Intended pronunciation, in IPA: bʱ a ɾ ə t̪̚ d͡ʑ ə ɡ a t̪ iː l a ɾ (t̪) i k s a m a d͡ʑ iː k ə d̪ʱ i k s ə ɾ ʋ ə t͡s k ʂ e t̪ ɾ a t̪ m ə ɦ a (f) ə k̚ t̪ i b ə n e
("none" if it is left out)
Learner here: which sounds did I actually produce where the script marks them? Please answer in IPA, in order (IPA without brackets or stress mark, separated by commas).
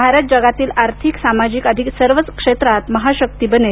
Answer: t̪ʰ, ɕ